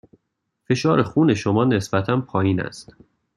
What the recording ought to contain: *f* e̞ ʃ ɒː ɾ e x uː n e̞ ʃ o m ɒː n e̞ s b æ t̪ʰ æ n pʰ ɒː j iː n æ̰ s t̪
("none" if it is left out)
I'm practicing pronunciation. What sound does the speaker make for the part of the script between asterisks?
f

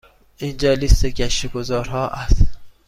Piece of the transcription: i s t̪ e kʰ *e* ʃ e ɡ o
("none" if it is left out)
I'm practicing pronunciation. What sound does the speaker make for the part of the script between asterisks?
æ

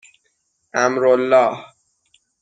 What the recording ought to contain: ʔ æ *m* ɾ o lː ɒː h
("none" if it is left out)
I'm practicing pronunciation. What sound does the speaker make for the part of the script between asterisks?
m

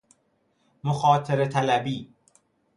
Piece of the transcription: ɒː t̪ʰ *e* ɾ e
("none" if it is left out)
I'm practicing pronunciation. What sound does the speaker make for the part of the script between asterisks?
e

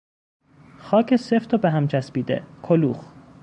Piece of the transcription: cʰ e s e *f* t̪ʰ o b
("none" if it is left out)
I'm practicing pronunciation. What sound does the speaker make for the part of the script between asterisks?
f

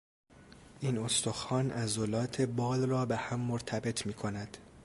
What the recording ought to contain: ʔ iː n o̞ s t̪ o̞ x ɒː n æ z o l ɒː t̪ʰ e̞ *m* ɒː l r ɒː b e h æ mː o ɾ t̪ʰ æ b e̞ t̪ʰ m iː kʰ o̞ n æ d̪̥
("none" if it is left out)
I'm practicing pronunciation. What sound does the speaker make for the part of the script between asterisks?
b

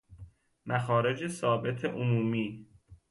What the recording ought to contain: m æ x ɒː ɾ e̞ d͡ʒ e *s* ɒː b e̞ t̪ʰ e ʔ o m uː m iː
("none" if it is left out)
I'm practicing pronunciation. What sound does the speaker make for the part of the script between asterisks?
s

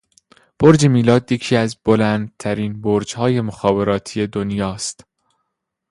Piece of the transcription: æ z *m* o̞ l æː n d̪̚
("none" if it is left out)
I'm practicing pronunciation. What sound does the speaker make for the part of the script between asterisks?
b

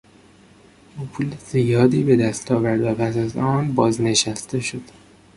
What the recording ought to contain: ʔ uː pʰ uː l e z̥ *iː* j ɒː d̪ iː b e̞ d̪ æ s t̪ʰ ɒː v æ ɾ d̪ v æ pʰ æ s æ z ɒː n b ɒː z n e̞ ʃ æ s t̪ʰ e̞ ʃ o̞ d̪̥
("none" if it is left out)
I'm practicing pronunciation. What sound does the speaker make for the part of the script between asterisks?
i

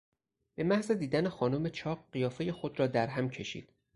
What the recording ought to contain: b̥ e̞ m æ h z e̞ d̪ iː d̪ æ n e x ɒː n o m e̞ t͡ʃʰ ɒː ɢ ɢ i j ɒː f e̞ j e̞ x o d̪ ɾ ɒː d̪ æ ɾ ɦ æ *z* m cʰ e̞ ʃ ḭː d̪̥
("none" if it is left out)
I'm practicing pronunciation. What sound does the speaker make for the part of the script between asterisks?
none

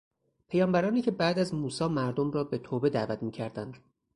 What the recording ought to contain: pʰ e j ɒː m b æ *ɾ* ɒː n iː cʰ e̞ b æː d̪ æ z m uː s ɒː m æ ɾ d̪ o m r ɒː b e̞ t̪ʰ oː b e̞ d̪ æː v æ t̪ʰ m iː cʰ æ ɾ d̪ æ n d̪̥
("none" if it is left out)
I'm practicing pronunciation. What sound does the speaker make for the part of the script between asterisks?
ɾ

